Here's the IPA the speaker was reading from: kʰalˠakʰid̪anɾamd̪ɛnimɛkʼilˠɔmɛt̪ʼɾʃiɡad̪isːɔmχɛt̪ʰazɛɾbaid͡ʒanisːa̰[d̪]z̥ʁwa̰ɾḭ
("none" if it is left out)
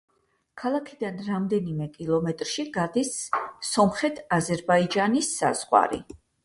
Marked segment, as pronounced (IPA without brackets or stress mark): none